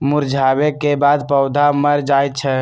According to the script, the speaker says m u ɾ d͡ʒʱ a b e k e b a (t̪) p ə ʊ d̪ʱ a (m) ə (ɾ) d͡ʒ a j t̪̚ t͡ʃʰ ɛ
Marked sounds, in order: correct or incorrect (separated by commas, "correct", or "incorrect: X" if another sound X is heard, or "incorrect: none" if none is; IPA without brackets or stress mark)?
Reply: incorrect: d̪, correct, correct